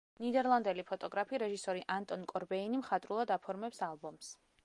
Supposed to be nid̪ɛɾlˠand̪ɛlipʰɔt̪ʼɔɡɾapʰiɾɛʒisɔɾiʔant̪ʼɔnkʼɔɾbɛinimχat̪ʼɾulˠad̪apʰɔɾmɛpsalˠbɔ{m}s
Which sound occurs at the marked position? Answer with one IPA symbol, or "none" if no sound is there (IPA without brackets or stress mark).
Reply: m